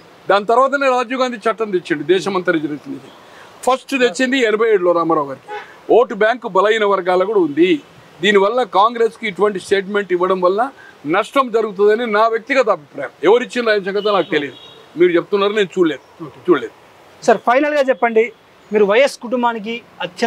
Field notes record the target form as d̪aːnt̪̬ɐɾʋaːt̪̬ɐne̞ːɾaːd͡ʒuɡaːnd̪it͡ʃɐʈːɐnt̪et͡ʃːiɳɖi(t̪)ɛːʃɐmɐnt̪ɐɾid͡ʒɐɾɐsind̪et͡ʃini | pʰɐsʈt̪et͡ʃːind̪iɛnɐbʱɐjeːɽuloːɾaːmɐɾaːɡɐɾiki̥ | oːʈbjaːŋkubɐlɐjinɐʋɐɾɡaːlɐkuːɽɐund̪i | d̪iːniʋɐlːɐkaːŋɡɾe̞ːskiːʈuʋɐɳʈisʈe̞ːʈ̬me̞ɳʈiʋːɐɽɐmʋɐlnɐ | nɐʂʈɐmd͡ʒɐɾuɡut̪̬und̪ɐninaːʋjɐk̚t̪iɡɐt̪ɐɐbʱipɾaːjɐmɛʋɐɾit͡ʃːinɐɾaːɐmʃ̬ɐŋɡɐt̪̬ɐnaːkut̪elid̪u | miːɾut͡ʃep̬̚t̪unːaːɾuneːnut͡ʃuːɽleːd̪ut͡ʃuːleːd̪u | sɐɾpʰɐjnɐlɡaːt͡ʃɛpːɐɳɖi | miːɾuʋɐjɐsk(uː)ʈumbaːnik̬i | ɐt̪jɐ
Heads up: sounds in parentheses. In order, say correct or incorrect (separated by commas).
incorrect, incorrect